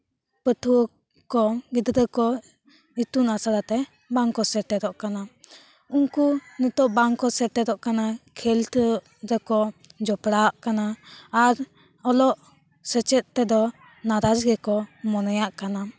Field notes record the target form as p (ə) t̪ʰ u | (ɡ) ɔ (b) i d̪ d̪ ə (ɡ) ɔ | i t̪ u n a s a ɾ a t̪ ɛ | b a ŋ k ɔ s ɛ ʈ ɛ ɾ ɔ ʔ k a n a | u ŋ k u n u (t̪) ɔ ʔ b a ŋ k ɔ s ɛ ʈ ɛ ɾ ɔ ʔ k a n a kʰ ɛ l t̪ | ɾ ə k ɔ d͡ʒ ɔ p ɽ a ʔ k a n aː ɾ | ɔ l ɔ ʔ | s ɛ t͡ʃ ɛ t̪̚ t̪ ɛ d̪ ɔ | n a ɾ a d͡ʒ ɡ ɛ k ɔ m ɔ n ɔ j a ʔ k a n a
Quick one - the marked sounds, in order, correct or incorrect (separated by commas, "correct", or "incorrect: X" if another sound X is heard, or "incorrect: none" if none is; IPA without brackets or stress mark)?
correct, incorrect: k, incorrect: ɡ, incorrect: k, correct